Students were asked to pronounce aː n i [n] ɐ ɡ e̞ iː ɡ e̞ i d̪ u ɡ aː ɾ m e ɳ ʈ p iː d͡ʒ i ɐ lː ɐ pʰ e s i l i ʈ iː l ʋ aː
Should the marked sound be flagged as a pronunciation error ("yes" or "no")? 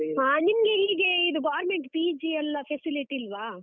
yes